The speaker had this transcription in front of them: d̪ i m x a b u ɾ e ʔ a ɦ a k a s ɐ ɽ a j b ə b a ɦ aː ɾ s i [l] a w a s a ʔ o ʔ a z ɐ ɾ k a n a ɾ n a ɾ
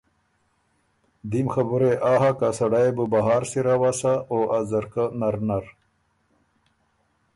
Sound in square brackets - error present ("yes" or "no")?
yes